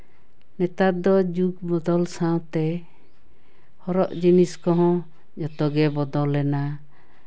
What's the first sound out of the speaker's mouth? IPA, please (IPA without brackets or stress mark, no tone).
n